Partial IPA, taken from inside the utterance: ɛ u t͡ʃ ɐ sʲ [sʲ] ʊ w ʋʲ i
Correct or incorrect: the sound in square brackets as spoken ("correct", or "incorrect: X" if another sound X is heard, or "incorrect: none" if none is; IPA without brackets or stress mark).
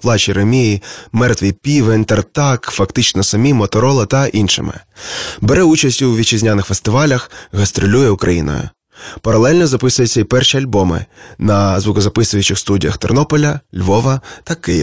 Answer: incorrect: tʲ